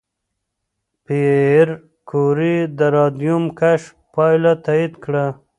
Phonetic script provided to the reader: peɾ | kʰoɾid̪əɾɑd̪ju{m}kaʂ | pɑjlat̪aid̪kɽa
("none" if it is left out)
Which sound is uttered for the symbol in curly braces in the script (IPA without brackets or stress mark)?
m